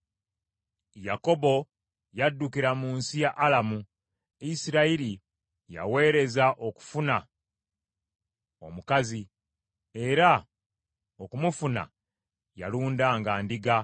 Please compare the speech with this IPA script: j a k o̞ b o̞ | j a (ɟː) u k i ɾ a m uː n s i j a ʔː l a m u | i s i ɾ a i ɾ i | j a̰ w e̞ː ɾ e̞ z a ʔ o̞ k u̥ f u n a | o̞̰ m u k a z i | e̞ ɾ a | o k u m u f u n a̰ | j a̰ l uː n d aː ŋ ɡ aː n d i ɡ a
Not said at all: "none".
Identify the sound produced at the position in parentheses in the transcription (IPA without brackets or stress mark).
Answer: dː